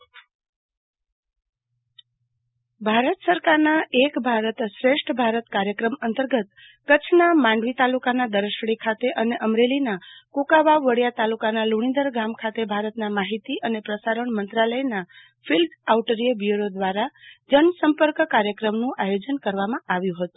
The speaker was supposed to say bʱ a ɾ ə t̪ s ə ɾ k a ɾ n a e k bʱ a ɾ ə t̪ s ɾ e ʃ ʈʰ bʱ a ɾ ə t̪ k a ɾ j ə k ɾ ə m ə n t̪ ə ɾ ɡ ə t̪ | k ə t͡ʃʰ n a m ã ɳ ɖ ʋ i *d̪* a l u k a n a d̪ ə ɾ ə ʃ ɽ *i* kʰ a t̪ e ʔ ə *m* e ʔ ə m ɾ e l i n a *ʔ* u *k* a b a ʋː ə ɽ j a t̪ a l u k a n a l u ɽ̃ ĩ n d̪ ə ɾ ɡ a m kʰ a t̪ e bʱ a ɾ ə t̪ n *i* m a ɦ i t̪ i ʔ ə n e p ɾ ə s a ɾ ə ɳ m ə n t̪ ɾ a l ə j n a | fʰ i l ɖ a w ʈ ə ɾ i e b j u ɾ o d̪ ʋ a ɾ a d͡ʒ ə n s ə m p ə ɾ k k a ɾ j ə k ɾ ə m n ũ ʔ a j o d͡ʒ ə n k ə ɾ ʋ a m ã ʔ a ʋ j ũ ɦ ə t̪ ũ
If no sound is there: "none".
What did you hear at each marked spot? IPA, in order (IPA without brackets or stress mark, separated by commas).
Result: t̪, i, n, k, k, a